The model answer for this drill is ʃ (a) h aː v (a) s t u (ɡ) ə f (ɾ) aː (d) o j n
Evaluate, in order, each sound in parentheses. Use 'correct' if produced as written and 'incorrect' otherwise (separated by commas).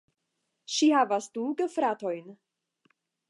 incorrect, correct, correct, correct, incorrect